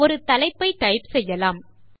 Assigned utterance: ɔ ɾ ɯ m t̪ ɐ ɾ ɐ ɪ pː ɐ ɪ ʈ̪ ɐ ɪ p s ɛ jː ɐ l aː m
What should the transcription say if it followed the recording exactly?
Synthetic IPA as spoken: ɔ ɾ ɯ t̪ ɐ l ɐ ɪ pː ɐ ɪ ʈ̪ ɐ ɪ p s ɛ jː ɐ l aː m